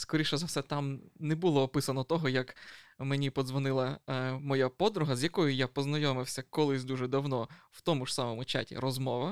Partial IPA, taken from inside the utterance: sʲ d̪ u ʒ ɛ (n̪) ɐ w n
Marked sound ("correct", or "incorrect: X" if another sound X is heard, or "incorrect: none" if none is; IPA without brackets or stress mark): incorrect: d̪